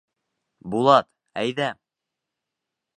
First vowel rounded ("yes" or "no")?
yes